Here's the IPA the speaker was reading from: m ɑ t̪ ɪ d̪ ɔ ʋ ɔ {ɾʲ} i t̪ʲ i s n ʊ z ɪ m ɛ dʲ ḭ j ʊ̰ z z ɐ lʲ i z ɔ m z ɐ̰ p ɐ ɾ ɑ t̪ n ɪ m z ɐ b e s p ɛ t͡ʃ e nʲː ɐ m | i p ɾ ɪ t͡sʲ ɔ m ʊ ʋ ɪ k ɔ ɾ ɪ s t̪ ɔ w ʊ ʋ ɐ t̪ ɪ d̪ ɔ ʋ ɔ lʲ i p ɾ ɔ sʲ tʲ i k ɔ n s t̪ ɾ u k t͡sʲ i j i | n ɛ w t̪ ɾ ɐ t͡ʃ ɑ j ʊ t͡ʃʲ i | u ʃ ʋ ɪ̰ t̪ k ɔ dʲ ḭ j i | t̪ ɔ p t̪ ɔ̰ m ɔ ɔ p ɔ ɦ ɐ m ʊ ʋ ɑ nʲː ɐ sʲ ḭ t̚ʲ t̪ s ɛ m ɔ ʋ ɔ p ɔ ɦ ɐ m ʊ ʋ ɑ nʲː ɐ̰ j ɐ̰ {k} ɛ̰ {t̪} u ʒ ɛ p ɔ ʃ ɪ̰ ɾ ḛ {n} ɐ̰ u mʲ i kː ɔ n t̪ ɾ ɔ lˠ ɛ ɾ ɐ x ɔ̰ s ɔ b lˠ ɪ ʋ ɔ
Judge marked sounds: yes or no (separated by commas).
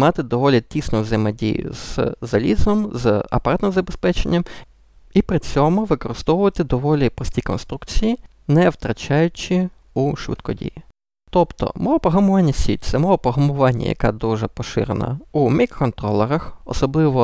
no, yes, no, yes